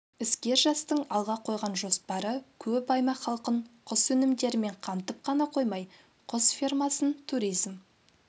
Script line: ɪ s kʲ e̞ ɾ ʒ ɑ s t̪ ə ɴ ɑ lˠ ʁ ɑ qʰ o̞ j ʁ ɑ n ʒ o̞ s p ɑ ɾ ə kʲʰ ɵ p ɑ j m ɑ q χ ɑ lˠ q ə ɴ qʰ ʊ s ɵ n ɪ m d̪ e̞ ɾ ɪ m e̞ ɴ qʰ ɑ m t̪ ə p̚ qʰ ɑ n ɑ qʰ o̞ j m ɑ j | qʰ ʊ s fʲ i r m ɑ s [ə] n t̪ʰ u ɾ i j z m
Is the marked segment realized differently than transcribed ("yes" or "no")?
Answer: no